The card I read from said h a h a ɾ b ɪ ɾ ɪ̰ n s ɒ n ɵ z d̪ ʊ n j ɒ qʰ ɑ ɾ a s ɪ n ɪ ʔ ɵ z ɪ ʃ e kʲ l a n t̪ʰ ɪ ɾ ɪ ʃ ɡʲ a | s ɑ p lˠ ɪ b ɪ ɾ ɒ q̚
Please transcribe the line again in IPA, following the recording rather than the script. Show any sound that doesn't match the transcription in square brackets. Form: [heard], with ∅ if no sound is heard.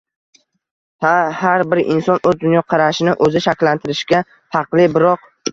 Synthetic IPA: h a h a ɾ b ɪ ɾ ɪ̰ n s ɒ n ɵ z d̪ ʊ n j ɒ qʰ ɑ ɾ a [ʃ] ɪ n ɪ ʔ ɵ z ɪ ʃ [a] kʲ l a n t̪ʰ ɪ ɾ ɪ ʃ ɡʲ a | [f] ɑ [q] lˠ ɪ b ɪ ɾ ɒ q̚